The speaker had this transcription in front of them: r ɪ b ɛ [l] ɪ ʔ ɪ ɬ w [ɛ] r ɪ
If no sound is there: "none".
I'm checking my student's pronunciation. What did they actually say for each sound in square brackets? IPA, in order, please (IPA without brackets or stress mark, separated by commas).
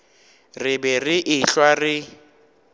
r, a